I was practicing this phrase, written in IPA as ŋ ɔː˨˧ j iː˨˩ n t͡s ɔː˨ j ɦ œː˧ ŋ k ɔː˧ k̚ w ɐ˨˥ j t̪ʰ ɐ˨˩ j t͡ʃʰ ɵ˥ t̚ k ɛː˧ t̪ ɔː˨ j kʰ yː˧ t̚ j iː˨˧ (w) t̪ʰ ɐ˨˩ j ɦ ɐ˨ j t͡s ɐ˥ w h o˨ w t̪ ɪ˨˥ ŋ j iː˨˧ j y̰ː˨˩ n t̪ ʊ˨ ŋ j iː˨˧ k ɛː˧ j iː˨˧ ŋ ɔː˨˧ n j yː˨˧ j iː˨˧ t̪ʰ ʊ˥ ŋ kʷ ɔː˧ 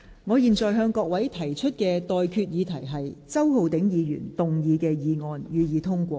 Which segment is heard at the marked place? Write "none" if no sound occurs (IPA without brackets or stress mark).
none